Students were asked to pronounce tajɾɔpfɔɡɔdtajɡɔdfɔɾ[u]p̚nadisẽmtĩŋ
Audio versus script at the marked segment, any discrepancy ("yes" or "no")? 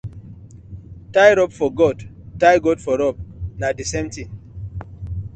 yes